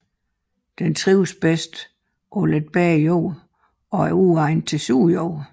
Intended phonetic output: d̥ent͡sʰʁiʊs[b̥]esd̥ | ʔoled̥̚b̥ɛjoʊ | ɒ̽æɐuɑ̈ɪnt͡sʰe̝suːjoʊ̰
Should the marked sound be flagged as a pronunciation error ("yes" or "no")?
no